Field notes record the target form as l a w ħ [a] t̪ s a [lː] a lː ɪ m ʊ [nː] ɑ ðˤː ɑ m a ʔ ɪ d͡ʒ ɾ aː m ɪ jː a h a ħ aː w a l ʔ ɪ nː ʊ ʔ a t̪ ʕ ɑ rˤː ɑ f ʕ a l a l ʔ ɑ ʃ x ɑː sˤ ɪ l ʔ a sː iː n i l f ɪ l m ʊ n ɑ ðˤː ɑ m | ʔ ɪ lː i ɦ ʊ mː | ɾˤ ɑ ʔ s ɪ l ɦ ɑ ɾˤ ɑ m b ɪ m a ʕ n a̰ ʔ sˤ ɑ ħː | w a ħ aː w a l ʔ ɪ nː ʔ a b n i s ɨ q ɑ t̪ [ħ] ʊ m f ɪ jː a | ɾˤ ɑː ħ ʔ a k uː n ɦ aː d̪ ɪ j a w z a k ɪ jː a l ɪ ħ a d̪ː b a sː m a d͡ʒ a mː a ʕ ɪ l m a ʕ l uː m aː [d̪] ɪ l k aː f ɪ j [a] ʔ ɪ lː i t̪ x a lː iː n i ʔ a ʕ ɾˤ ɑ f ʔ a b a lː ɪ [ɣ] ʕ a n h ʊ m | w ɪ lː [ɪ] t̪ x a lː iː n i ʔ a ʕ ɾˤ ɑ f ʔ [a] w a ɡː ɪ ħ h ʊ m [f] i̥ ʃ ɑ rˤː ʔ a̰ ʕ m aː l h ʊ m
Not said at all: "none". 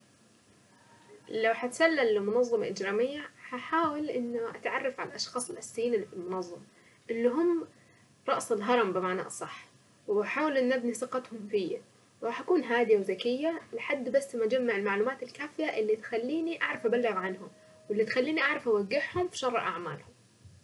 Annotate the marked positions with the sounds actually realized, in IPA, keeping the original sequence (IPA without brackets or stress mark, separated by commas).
a, lː, n, h, t̪, a, ɣ, i, a, f